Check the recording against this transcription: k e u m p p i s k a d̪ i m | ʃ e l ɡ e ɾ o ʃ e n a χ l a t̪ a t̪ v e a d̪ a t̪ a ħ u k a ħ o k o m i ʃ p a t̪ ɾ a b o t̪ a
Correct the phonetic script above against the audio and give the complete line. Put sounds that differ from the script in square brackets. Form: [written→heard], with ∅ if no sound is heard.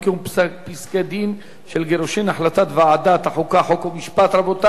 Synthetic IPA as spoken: k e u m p p i s k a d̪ i [m→n] | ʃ e l ɡ e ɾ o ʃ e n a [χ→ħ] l a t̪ a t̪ v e a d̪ a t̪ a ħ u k a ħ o k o m i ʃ p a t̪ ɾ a b o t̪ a